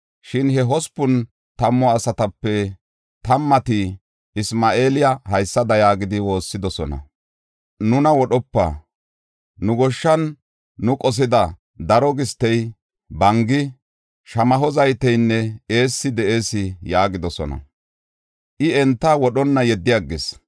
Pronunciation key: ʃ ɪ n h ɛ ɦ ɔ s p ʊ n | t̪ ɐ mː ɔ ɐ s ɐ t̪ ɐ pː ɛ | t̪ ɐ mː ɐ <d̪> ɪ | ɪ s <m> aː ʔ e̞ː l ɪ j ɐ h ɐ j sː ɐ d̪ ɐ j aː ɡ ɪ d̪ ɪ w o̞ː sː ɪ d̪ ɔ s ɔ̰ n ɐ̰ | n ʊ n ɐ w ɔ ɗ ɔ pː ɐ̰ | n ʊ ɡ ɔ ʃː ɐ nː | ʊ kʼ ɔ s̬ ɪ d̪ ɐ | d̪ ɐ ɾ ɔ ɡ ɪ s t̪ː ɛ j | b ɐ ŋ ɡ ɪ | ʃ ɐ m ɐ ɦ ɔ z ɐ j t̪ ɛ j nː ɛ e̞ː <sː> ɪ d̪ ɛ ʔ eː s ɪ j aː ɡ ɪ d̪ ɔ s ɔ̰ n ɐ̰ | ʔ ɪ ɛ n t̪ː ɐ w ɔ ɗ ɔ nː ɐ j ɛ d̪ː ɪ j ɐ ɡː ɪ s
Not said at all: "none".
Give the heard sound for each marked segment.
t̪, m, sː

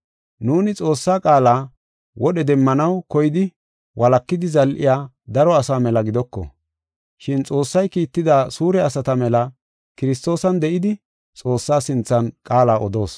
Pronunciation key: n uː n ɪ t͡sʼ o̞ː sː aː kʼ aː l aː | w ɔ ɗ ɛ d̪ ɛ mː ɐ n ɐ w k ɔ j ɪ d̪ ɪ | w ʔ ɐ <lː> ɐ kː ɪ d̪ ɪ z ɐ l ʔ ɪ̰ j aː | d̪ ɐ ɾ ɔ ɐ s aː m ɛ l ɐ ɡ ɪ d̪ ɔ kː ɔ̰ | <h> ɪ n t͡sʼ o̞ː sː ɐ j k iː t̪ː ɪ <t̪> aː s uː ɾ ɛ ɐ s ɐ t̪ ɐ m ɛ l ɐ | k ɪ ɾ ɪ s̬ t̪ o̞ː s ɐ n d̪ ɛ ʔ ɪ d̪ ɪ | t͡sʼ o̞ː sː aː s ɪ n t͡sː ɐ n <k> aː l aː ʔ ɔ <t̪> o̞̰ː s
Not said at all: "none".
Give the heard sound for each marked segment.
l, ʃ, d̪, kʼ, d̪

